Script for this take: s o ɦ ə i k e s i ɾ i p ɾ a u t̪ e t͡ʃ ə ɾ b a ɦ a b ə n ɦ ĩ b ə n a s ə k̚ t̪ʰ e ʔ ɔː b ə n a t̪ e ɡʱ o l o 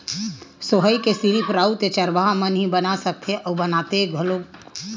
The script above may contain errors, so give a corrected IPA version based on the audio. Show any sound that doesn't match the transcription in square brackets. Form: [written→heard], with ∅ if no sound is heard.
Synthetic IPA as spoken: s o ɦ ə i k e s i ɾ i p ɾ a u t̪ e t͡ʃ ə ɾ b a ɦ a [b→m] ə n ɦ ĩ b ə n a s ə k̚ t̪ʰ e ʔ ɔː b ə n a t̪ e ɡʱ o l o